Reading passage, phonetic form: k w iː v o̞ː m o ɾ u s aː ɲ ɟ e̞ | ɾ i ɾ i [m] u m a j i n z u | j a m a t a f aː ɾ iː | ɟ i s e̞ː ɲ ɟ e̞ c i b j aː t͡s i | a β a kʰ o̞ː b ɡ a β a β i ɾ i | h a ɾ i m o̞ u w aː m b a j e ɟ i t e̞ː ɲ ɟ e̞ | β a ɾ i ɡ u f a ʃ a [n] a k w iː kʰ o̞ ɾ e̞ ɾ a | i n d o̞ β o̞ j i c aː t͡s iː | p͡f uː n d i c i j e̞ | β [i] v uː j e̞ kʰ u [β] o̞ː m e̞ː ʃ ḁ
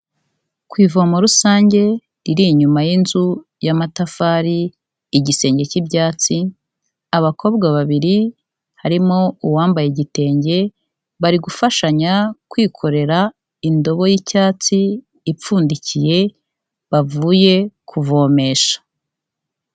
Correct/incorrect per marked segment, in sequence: incorrect, incorrect, incorrect, incorrect

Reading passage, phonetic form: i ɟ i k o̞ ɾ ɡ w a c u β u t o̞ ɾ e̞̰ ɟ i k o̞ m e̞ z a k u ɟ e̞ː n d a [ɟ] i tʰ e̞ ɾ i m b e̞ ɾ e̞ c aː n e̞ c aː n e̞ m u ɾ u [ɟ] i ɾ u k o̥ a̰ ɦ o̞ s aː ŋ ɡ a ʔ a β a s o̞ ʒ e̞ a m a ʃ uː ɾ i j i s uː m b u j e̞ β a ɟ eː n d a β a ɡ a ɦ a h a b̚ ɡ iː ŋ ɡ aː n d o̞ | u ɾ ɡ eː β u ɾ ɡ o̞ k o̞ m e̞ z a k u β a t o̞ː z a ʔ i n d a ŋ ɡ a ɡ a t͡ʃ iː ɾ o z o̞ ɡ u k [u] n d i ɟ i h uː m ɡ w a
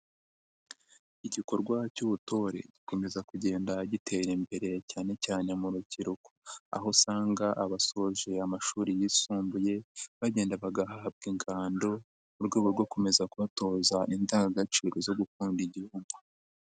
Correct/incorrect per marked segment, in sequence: correct, incorrect, incorrect

